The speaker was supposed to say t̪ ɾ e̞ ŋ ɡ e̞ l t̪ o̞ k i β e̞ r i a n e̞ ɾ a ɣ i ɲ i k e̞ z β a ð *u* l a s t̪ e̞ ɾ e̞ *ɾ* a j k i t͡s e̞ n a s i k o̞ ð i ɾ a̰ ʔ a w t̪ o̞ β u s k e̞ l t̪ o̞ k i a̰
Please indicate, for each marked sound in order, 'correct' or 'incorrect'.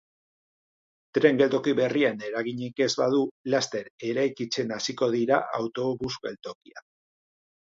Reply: correct, correct

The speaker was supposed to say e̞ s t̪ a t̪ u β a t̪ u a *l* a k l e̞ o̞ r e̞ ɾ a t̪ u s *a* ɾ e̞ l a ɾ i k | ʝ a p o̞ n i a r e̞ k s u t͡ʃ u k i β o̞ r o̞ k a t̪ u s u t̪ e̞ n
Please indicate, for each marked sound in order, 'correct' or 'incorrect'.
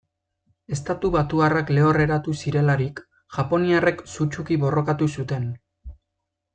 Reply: incorrect: r, incorrect: i

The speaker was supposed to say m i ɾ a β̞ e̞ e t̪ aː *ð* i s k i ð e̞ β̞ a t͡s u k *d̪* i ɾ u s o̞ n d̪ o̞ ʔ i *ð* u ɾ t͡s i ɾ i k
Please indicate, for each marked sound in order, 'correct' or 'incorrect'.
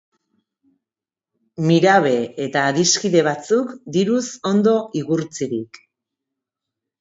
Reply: correct, correct, incorrect: ɣ

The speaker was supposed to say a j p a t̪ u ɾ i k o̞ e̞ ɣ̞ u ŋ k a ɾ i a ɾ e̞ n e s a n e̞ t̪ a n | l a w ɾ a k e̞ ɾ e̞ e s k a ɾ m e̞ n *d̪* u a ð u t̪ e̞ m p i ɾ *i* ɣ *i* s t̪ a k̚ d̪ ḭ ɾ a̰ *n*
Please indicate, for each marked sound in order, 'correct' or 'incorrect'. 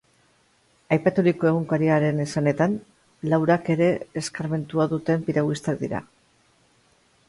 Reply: incorrect: t̪, incorrect: a, correct, incorrect: none

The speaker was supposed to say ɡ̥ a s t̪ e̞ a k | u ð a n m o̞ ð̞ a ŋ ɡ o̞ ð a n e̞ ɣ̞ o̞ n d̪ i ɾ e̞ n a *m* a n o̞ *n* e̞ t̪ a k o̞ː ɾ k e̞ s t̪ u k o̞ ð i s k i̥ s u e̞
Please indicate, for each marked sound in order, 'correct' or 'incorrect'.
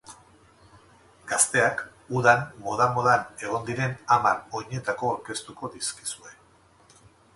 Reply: correct, incorrect: ɲ

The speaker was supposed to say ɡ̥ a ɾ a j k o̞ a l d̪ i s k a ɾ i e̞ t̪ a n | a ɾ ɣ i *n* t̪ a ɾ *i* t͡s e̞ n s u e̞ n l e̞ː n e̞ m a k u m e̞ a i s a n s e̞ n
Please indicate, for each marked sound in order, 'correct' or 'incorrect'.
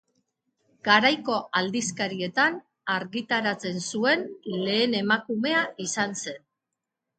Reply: incorrect: none, incorrect: a

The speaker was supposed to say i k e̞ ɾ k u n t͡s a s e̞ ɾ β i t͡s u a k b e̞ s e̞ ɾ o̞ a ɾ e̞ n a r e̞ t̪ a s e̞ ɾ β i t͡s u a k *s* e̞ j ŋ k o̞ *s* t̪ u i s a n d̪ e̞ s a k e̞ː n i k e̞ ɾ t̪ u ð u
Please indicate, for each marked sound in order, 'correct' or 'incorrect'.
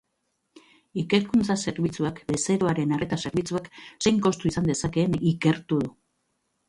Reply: correct, correct

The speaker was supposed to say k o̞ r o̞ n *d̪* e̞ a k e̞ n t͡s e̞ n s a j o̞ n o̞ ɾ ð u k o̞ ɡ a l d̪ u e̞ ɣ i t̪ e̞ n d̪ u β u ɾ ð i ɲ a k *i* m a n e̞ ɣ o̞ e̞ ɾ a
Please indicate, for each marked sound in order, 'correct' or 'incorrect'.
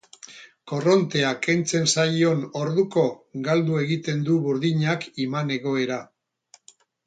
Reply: incorrect: t̪, correct

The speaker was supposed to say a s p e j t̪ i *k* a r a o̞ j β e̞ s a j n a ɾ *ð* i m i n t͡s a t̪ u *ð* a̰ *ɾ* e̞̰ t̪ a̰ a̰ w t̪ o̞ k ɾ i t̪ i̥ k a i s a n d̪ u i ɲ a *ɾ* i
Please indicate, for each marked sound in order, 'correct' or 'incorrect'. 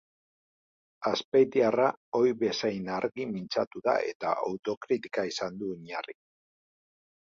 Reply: incorrect: none, incorrect: ɣ, correct, incorrect: none, incorrect: r

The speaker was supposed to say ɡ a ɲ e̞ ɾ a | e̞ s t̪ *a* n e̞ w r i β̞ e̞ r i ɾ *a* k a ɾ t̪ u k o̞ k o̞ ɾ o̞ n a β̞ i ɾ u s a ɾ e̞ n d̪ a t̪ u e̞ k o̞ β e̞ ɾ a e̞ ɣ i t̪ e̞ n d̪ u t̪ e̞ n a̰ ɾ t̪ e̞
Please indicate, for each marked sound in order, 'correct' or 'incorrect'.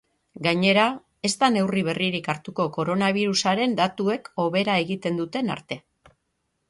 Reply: correct, incorrect: i

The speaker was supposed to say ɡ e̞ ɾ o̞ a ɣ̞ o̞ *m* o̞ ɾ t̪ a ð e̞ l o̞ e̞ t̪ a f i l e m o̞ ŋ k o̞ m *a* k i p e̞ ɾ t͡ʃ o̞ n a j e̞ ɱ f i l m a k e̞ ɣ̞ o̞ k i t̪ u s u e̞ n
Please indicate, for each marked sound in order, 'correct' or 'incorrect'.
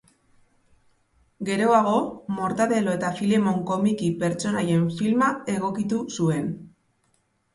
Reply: correct, incorrect: i

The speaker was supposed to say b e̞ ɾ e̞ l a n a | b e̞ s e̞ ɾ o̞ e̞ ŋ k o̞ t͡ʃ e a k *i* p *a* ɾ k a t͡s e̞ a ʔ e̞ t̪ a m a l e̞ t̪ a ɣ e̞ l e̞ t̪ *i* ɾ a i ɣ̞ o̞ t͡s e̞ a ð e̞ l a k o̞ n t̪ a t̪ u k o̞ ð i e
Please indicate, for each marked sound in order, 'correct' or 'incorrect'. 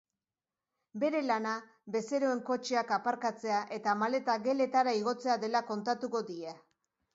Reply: incorrect: a, correct, incorrect: a

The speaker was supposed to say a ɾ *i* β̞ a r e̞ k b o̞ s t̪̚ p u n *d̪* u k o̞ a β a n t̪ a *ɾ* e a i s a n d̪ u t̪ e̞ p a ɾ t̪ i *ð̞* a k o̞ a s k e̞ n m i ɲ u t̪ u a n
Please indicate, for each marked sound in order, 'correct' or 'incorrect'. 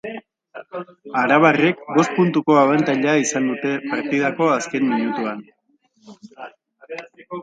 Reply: incorrect: a, incorrect: t̪, incorrect: ʎ, correct

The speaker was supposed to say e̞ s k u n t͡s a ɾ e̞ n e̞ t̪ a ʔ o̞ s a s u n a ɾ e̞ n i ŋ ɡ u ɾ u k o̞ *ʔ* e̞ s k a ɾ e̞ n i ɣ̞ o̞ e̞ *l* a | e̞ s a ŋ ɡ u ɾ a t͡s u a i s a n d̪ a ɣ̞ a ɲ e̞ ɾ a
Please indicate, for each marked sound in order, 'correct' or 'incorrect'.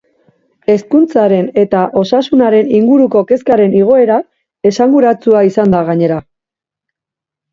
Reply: incorrect: k, incorrect: ɾ

